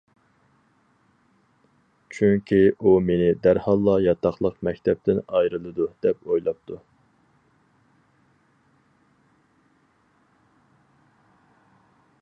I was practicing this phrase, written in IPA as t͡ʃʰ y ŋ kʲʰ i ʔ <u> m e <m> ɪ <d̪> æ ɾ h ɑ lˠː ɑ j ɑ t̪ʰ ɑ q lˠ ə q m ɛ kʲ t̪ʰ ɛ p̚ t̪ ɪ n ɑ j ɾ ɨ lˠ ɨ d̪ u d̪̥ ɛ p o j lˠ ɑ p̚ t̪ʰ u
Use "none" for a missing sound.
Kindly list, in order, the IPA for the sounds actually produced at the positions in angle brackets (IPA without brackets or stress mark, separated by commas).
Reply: u, n, d̪